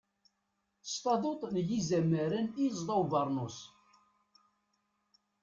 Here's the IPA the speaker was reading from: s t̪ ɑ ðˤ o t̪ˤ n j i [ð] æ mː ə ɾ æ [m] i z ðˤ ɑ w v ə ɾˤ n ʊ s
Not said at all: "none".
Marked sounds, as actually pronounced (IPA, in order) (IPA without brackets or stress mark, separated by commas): z, n